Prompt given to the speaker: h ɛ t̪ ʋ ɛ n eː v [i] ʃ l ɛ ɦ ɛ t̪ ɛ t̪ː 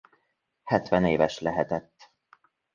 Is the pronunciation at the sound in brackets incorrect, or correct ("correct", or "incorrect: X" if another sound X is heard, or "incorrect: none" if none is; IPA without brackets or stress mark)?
incorrect: ɛ